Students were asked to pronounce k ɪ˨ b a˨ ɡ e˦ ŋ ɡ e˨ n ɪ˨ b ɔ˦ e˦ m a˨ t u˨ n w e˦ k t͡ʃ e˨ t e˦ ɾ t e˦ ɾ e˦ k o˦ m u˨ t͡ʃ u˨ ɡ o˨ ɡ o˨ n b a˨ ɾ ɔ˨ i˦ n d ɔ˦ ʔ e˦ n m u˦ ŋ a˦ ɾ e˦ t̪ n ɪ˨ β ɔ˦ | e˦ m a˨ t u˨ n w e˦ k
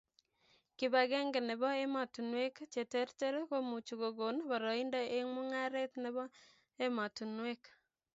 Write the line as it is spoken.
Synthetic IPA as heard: k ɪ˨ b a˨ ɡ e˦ ŋ ɡ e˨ n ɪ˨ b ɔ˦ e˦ m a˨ t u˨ n w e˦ k t͡ʃ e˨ t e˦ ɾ t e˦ ɾ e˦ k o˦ m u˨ t͡ʃ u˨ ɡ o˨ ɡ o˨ n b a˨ ɾ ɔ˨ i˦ n d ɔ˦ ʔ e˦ ŋ m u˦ ŋ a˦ ɾ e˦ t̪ n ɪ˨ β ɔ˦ | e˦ m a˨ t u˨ n w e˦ k

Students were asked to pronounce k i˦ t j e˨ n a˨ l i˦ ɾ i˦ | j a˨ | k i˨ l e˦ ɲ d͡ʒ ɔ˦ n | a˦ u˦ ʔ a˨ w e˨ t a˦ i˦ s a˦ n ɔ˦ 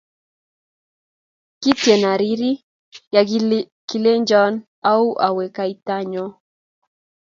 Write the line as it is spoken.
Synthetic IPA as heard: k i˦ t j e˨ n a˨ ɾ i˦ ɾ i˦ | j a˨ | k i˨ l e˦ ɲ d͡ʒ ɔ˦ n | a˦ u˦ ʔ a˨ w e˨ k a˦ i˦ t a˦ ɲ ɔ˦

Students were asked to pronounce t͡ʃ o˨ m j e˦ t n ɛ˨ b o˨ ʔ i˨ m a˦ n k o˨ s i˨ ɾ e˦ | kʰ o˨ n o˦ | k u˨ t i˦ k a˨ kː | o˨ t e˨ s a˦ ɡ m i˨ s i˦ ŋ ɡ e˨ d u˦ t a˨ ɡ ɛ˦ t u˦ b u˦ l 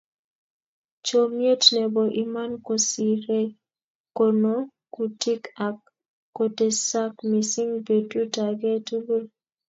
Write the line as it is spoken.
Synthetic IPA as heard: t͡ʃ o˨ m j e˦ t n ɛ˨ b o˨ ʔ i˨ m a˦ n k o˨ s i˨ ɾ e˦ | k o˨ n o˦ | k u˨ t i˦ k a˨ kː | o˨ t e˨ s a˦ k m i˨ s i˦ ŋ b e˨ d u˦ t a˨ ɡ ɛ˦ t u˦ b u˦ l

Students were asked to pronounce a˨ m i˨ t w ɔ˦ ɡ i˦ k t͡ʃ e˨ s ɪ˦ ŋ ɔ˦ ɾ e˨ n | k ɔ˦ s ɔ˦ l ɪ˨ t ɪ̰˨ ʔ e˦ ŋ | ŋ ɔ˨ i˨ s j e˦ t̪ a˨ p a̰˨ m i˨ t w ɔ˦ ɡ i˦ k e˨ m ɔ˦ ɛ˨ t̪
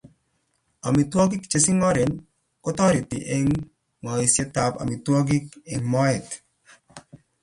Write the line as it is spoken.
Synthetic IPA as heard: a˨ m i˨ t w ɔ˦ ɡ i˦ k t͡ʃ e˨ s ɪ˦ ŋ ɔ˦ ɾ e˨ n | k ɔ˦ t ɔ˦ ɾ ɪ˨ t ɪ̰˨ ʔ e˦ ŋ | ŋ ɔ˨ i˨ s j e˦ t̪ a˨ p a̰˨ m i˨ t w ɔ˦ ɡ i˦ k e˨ m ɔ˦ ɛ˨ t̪

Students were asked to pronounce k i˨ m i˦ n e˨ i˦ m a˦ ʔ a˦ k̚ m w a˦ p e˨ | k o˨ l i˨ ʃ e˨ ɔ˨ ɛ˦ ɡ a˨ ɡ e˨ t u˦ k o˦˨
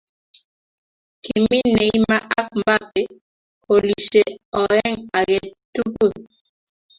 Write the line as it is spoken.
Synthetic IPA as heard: k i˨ m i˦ n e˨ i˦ m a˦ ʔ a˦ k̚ m b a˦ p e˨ | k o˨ l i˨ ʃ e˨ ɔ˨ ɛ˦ ŋ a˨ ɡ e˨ t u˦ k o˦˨

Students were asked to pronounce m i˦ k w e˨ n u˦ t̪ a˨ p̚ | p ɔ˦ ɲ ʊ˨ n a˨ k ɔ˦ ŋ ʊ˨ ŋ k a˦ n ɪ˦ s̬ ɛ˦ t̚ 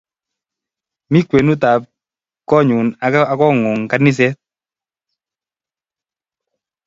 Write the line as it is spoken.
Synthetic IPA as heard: m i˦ k w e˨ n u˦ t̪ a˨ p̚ | k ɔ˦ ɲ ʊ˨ n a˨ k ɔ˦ ŋ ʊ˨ ŋ k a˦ n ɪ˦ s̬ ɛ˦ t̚

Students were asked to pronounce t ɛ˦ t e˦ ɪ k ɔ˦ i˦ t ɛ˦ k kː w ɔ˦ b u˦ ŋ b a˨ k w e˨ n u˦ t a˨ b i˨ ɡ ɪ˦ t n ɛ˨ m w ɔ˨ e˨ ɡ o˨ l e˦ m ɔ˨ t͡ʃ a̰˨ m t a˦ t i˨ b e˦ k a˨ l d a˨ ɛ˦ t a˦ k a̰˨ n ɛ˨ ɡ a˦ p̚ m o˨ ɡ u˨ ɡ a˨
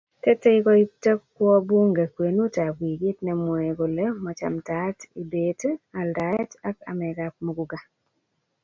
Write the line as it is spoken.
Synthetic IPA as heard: t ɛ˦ t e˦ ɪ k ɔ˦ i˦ t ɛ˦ k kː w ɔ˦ b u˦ ŋ ɡ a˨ k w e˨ n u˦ t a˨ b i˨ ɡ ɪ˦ t n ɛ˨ m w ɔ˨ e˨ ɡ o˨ l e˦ m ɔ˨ t͡ʃ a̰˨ m t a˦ t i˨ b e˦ t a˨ l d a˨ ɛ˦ t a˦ k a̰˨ m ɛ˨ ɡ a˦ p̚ m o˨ ɡ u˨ ɡ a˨

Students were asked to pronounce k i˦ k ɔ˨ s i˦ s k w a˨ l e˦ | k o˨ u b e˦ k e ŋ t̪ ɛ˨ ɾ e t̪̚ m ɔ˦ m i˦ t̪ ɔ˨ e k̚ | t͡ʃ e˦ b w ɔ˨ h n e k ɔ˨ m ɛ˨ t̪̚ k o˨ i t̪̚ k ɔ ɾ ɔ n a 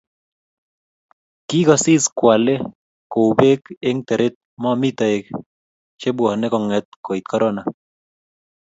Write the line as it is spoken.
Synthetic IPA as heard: k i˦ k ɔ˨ s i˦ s k w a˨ l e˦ | k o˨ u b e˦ k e ŋ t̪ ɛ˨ ɾ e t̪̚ m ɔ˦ m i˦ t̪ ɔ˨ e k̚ | t͡ʃ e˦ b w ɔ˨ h n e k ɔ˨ ŋ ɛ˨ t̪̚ k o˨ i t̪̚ k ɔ ɾ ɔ n a

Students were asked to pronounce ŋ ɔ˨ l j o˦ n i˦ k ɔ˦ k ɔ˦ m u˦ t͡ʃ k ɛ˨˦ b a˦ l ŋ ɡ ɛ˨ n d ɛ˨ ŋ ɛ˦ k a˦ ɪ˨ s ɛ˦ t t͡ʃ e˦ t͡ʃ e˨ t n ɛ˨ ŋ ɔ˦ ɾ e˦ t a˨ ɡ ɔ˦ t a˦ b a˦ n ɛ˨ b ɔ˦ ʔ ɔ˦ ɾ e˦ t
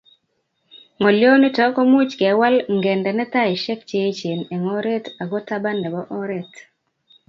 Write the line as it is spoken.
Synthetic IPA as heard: ŋ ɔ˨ l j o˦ n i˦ t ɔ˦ k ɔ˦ m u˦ t͡ʃ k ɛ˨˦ w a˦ l ŋ ɡ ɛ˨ n d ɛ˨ n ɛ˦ t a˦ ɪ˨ ʃ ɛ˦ k t͡ʃ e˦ t͡ʃ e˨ n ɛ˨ ŋ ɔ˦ ɾ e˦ t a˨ ɡ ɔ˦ t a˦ b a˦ n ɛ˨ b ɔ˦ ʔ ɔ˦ ɾ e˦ t

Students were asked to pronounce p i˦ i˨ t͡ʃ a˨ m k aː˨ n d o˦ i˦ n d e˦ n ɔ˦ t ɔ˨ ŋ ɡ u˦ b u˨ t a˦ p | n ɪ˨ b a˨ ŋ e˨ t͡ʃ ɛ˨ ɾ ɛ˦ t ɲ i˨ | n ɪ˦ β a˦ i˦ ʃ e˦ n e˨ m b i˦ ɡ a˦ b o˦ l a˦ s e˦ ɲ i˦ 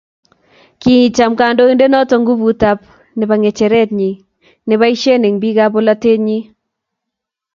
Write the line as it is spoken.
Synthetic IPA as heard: k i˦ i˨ t͡ʃ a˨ m k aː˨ n d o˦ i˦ n d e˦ n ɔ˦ t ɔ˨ ŋ ɡ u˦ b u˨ t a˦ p | n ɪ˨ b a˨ ŋ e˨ t͡ʃ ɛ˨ ɾ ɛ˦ t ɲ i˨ | n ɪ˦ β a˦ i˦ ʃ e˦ n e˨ ŋ b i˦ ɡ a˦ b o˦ l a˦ t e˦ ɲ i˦

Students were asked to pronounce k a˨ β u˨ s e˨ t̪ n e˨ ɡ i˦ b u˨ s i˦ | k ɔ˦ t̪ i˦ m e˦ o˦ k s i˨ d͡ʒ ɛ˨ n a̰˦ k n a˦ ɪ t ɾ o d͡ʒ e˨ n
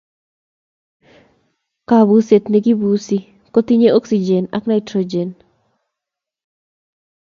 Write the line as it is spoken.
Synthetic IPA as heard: k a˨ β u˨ s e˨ t̪ n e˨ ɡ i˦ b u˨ s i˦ | k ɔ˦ t̪ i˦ ɲ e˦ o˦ k s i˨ d͡ʒ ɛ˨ n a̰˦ k n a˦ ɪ t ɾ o d͡ʒ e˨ n

